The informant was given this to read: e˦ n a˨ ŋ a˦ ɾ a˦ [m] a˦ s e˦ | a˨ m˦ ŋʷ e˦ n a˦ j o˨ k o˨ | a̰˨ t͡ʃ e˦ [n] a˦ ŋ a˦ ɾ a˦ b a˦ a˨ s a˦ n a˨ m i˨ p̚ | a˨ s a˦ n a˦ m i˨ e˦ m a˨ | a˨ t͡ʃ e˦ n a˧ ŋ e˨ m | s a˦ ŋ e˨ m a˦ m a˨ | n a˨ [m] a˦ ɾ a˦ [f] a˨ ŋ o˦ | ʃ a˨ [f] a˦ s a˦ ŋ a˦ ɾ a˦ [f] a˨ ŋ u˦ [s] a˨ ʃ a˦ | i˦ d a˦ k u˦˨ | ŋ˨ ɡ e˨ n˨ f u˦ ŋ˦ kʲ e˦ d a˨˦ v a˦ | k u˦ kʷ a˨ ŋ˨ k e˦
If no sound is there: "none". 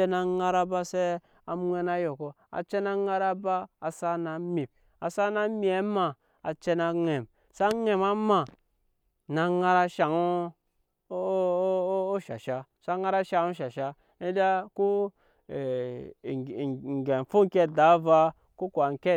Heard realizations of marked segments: b, n, ŋ, ʃ, ʃ, ʃ, ʃ

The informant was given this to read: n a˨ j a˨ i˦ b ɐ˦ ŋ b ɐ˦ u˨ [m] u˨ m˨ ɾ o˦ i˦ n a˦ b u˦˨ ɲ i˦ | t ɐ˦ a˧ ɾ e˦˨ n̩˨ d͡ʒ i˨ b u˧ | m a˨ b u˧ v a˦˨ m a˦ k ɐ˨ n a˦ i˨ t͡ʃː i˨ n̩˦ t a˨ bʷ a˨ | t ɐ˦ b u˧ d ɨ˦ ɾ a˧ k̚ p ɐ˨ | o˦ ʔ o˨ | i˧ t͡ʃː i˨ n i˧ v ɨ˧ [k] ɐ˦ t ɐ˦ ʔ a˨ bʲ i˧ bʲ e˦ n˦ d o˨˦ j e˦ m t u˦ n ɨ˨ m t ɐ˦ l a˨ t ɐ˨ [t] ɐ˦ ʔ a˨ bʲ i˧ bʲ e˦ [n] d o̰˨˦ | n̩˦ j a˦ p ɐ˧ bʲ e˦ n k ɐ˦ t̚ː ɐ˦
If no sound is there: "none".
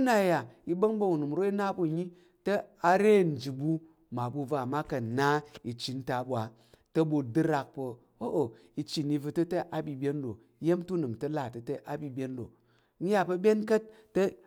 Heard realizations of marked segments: n, t, t, n

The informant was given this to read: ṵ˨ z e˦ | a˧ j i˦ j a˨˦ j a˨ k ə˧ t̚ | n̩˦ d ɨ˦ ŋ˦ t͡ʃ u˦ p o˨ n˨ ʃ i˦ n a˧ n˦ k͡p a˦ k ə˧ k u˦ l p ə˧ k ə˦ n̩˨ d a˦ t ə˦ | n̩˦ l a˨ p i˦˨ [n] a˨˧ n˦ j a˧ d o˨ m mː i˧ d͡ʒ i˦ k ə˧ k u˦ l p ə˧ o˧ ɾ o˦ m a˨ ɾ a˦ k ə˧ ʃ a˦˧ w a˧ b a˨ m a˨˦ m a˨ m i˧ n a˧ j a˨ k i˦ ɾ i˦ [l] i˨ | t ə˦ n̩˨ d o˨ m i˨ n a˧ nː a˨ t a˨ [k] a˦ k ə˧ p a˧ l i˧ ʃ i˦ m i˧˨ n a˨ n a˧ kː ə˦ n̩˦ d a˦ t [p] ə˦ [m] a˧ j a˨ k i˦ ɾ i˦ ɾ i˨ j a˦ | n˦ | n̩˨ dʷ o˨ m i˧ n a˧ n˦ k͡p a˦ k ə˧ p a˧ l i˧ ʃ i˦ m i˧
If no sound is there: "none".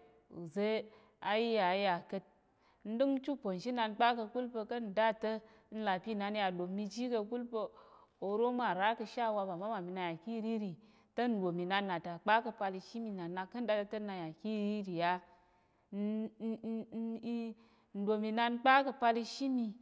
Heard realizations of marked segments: n, ɾ, k͡p, t, n

